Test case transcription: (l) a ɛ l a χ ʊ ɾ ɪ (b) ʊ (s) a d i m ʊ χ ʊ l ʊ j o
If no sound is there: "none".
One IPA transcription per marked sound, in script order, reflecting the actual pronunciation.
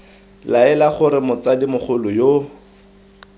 l, m, t͡s

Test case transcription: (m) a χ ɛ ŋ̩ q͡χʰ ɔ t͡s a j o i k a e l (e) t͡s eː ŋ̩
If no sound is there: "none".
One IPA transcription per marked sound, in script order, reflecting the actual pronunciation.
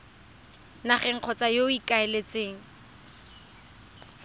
n, e

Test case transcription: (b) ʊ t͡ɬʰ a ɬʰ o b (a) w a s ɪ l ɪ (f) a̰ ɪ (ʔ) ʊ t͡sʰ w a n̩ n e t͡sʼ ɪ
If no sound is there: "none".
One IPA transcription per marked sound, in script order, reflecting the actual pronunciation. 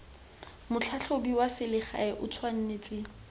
m, i, χ, ʔ

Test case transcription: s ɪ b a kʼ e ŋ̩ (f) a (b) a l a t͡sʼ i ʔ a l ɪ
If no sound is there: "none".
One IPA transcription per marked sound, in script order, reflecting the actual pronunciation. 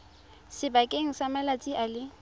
s, m

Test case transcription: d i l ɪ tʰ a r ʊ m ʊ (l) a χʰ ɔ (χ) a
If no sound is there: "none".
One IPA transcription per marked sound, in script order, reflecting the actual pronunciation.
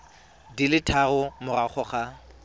r, χ

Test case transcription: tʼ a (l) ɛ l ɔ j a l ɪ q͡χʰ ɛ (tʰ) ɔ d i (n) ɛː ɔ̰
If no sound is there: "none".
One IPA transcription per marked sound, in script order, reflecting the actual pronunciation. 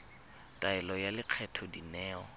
none, tʰ, n

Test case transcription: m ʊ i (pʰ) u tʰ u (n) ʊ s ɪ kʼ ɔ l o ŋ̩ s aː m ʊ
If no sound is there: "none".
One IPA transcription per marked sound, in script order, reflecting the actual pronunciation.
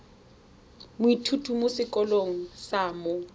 tʰ, m

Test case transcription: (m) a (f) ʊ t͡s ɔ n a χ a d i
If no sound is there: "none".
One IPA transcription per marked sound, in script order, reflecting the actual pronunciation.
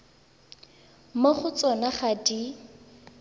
m, χ

